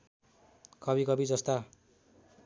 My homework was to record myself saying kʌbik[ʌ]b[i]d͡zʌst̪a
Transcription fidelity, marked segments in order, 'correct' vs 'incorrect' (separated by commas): correct, correct